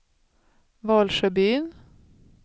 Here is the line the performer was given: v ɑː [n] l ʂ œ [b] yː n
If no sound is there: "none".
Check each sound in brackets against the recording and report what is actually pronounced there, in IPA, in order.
none, b

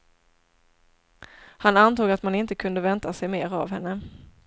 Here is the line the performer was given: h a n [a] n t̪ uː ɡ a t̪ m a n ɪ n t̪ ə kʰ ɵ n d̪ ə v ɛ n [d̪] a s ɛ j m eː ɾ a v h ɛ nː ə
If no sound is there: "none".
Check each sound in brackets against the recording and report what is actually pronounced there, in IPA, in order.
a, t̪

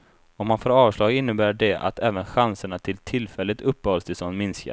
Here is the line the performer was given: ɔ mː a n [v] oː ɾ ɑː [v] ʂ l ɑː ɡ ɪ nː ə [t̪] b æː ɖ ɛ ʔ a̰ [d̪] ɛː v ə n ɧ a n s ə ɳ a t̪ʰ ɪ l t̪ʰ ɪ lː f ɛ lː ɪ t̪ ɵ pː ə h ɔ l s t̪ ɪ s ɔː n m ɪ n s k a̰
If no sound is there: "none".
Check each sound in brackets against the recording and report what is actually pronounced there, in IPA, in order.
f, v, none, t̪

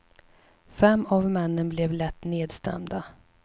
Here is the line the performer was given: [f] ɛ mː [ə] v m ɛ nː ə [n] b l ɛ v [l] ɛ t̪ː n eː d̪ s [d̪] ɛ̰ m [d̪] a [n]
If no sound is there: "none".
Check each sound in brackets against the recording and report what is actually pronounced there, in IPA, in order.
f, a, n, l, t̪, d̪, none

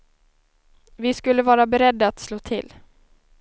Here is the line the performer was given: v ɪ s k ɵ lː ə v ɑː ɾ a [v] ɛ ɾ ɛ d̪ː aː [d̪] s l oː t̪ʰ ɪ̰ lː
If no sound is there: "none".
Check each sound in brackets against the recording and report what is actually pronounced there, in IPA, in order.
b, t̪

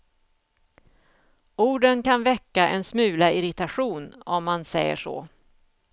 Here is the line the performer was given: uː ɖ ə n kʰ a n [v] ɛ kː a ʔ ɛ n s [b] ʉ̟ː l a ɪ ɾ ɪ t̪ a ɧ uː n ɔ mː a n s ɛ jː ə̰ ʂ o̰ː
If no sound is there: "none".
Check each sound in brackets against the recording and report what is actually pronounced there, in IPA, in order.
v, m

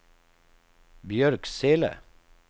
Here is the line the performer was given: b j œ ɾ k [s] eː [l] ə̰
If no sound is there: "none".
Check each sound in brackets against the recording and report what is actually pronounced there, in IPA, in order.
s, l

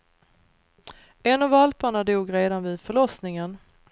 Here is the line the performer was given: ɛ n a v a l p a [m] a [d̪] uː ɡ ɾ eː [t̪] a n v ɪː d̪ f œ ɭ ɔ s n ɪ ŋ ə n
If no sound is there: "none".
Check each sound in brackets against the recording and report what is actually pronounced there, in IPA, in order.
ɳ, d̪, d̪

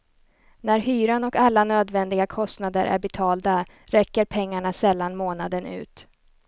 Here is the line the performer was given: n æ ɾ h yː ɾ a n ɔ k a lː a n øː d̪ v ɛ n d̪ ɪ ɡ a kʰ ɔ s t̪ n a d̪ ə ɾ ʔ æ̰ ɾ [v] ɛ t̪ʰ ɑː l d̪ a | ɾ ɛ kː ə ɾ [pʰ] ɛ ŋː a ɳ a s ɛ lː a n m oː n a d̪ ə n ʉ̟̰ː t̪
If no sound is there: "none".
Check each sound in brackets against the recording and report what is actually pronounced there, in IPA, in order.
b, pʰ

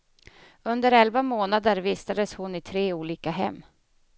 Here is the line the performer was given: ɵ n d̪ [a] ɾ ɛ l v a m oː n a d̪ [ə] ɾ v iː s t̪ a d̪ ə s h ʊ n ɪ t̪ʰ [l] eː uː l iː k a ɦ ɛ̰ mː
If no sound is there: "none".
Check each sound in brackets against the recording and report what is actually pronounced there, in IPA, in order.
ə, ə, ɾ

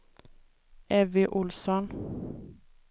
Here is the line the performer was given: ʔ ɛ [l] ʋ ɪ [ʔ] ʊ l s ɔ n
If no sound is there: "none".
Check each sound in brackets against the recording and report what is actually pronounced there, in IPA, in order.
none, ʔ

